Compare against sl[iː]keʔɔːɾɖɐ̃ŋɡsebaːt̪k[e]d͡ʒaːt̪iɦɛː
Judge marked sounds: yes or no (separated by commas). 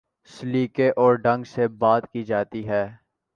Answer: yes, no